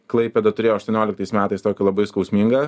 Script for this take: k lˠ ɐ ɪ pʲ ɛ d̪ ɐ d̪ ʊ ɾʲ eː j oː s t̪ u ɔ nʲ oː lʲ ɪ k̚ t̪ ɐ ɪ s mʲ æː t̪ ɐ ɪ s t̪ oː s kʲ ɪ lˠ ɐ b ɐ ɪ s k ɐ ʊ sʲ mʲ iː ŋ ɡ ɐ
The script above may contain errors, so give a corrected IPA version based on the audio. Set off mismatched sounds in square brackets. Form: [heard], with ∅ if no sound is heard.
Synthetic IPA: k lˠ ɐ ɪ pʲ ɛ d̪ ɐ [t̪] ʊ ɾʲ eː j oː [ʃ] t̪ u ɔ nʲ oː lʲ ɪ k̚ t̪ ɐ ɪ s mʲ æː t̪ ɐ ɪ s t̪ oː [∅] kʲ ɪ lˠ ɐ b ɐ ɪ s k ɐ ʊ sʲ mʲ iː ŋ ɡ ɐ